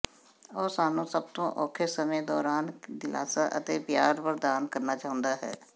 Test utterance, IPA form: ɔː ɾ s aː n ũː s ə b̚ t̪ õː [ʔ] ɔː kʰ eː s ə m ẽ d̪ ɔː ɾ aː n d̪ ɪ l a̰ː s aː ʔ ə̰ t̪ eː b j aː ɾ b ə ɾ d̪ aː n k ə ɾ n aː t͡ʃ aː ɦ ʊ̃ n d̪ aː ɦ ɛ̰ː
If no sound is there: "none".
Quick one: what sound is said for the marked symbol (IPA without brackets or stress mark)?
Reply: ʔ